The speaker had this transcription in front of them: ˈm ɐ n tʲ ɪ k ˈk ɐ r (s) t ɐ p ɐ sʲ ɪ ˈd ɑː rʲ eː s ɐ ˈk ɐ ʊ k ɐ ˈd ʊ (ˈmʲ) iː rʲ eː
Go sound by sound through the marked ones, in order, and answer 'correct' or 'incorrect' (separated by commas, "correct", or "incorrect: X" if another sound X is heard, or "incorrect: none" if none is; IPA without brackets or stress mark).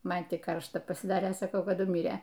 incorrect: ʃ, correct